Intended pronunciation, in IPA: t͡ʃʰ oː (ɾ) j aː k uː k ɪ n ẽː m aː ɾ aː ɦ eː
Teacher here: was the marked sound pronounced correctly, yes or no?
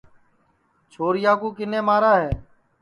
yes